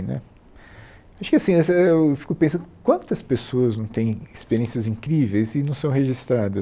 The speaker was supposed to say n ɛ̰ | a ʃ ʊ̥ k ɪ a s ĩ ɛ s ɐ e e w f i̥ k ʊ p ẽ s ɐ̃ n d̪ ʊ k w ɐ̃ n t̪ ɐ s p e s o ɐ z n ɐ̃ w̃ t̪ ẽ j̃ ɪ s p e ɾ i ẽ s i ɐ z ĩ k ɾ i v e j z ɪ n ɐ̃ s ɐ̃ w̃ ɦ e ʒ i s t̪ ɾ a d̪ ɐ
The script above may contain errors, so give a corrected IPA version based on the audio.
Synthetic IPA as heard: n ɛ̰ | a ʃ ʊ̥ k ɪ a s ĩ ɛ s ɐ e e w f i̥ k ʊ p ẽ s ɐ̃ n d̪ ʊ k w ɐ̃ n t̪ ɐ s p e s o ɐ z n ɐ̃ w̃ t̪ ẽ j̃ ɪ s p e ɾ i ẽ s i ɐ z ĩ k ɾ i v e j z ɪ n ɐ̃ s ɐ̃ w̃ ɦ e ʒ i s t̪ ɾ a d̪ ɐ